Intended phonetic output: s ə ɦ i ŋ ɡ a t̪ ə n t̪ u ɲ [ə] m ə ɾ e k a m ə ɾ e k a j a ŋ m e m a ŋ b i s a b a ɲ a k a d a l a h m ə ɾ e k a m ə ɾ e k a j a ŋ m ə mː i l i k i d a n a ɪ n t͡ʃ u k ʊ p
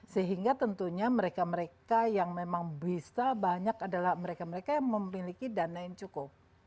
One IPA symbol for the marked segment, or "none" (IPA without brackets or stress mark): a